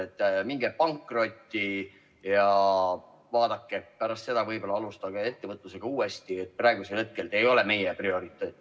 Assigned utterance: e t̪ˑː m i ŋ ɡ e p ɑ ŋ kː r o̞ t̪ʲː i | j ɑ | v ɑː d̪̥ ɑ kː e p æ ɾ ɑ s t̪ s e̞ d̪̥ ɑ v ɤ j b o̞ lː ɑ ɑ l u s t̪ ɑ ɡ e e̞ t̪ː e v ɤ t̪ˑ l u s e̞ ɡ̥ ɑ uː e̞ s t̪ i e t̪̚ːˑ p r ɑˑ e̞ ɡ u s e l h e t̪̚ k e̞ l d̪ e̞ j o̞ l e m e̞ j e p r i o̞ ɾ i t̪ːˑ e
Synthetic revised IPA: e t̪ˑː m i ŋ ɡ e p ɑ ŋ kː r o̞ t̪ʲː i | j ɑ | v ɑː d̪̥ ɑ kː e p æ ɾ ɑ s t̪ s e̞ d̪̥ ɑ v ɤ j b o̞ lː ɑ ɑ l u s t̪ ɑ ɡ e e̞ t̪ː e v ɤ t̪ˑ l u s e̞ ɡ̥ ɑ uː e̞ s t̪ i e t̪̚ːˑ p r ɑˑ e̞ ɡ u s e l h e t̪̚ k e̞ l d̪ e̞ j o̞ l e m e̞ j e p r i o̞ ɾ i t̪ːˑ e

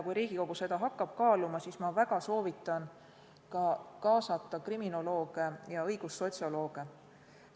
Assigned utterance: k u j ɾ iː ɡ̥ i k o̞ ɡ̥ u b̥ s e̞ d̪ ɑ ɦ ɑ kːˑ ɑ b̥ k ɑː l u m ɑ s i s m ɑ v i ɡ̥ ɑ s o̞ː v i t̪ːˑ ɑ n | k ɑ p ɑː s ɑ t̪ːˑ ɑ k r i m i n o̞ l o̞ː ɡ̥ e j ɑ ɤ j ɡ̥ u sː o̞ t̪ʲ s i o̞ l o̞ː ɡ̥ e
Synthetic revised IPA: k u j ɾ iː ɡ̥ i k o̞ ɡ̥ u s e̞ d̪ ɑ ɦ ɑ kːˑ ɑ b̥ k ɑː l u m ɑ s i s m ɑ v æ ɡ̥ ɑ s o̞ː v i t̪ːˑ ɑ n | k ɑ k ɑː s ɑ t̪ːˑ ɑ k r i m i n o̞ l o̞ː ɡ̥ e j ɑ ɤ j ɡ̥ u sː o̞ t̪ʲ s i o̞ l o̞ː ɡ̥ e

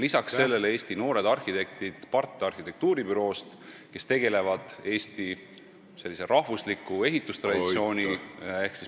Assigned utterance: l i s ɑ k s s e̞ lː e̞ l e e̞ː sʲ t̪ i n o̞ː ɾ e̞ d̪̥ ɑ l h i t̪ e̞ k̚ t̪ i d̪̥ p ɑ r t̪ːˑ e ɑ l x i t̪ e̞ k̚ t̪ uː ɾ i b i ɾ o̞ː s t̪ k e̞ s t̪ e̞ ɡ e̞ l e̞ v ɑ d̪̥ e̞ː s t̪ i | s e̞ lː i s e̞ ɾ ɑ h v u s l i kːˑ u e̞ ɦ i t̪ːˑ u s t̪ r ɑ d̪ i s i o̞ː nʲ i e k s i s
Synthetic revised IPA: l i s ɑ k s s e̞ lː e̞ l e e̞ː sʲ t̪ i n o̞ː ɾ e̞ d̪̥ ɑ r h i t̪ e̞ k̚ t̪ i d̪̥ p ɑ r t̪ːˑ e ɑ r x i t̪ e̞ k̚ t̪ uː ɾ i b y ɾ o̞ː s t̪ k e̞ s t̪ e̞ ɡ e̞ l e̞ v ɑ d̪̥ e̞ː s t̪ i | s e̞ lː i s e̞ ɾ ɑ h v u s l i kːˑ u e̞ ɦ i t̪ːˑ u s t̪ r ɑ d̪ i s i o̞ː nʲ i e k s i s

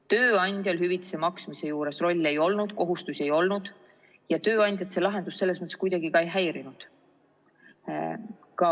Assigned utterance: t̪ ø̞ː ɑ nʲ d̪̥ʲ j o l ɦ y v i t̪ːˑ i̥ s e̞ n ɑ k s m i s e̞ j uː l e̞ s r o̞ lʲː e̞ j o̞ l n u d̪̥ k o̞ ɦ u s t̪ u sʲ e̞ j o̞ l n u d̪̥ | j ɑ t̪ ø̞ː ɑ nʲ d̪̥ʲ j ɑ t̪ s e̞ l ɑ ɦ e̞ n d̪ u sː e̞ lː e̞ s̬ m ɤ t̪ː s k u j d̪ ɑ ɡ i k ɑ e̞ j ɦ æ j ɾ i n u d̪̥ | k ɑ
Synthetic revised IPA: t̪ ø̞ː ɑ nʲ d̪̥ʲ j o l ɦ y v i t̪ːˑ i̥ s e̞ m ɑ k s m i s e̞ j uː ɾ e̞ s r o̞ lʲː e̞ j o̞ l n u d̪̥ k o̞ ɦ u s t̪ u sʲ e̞ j o̞ l n u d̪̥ | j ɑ t̪ ø̞ː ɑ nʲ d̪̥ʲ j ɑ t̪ s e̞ l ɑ ɦ e̞ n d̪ u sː e̞ lː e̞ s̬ m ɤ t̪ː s k u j d̪ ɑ ɡ i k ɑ e̞ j ɦ æ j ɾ i n u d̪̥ | k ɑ

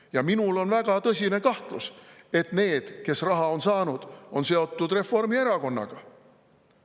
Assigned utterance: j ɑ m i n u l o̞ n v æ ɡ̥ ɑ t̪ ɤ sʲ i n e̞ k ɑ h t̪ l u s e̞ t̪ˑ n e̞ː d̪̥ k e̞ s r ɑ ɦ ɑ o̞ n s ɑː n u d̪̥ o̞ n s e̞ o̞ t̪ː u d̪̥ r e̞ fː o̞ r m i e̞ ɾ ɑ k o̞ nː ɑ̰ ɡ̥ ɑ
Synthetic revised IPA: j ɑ m i n u l o̞ n v æ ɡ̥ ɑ t̪ ɤ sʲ i n e̞ k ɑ h t̪ l u s e̞ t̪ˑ n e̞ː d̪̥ k e̞ s r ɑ ɦ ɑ o̞ n s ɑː n u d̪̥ o̞ n s e̞ o̞ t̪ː u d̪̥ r e̞ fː o̞ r m i e̞ ɾ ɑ k o̞ nː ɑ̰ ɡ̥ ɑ

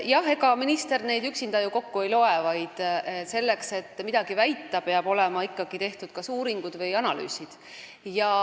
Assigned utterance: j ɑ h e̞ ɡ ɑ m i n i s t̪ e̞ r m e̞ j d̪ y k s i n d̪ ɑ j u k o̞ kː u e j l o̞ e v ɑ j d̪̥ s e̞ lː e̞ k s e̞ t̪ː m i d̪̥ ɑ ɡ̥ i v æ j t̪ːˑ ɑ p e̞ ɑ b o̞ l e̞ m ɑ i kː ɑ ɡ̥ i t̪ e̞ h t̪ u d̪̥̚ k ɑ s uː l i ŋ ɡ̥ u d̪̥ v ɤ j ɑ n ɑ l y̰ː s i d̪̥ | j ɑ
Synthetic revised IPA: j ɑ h e̞ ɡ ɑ m i n i s t̪ e̞ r n e̞ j d̪ y k s i n d̪ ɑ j u k o̞ kː u e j l o̞ e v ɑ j d̪̥ s e̞ lː e̞ k s e̞ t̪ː m i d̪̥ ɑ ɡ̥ i v æ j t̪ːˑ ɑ p e̞ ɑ b o̞ l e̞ m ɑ i kː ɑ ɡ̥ i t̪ e̞ h t̪ u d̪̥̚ k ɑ s uː ɾ i ŋ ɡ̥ u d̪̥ v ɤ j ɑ n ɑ l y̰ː s i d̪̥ | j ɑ

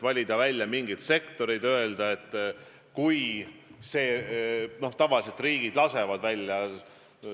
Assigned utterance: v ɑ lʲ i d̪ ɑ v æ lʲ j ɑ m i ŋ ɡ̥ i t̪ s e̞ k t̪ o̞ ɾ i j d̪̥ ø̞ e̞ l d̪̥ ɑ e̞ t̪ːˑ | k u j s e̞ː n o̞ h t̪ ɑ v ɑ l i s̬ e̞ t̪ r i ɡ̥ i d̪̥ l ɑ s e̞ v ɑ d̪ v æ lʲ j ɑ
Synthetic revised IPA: v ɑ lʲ i d̪ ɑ v æ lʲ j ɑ m i ŋ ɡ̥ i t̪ s e̞ k t̪ o̞ ɾ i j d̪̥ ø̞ e̞ l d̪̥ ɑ e̞ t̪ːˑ | k u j s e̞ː n o̞ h t̪ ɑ v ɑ l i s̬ e̞ t̪ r iː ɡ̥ i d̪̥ l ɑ s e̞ v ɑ d̪ v æ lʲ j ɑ

